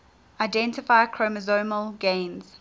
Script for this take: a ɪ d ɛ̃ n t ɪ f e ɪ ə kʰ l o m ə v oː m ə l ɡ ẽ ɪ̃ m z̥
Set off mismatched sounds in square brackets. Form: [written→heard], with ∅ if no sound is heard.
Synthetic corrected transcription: a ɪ d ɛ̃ n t ɪ f [e→a] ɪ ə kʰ [l→ɹ] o m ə [v→z] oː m ə l ɡ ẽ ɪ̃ [m→n] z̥

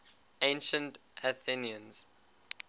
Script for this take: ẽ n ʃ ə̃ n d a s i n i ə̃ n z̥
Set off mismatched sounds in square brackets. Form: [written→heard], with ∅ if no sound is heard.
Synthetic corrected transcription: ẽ n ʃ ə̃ n [d→t] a [s→θ] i n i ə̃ n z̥

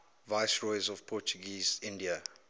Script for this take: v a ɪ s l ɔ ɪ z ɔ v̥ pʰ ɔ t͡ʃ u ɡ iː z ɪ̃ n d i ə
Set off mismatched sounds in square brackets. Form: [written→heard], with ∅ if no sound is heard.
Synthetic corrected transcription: v a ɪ s [l→ɹ] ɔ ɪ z ɔ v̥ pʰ ɔ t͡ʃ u ɡ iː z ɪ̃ n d i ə

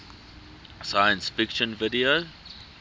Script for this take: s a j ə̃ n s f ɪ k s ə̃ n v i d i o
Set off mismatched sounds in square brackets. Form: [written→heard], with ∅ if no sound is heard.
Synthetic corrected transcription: s a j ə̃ n s f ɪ k [s→ʃ] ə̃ n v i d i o

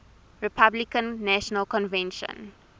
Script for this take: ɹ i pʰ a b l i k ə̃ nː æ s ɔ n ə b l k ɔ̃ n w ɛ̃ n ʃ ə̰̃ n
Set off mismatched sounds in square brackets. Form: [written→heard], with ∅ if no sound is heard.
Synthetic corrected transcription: ɹ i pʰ a b l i k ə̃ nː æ [s→ʃ] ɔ n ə [b→∅] l k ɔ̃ n [w→v] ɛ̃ n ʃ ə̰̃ n

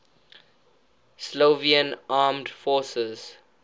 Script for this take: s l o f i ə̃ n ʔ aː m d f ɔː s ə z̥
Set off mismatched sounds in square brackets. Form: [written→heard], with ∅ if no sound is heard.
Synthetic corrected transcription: s l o [f→v] i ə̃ n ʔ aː m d f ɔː s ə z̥

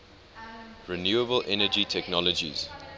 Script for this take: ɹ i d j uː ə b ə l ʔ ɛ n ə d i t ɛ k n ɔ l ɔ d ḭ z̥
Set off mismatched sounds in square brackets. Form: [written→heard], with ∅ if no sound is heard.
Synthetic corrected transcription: ɹ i [d→n] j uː ə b ə l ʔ ɛ n ə [d→d͡ʒ] i [t→tʰ] ɛ k n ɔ l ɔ [d→d͡ʒ] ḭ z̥

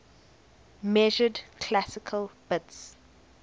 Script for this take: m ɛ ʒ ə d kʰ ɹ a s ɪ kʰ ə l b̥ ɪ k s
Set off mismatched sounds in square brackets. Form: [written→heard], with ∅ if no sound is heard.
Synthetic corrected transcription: m ɛ ʒ ə d kʰ [ɹ→l] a s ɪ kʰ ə l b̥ ɪ [k→t] s

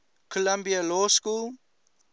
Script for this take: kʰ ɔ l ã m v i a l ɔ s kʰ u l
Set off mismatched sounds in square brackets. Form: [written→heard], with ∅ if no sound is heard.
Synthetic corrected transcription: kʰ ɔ l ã m [v→b] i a l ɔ s [kʰ→k] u l

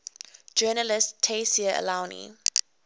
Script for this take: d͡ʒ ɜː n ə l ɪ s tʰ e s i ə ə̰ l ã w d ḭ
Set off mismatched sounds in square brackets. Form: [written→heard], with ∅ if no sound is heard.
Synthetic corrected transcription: d͡ʒ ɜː n ə l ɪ s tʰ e s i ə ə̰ l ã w [d→n] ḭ

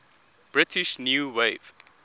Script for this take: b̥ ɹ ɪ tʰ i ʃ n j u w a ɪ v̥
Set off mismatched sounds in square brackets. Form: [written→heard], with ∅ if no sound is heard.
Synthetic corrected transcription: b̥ ɹ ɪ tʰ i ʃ n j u w [a→e] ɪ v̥

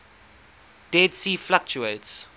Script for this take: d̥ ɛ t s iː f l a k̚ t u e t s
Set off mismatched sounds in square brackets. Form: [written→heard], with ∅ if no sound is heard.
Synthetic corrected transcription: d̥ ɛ [t→d] s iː f l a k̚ [t→t͡ʃ] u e t s

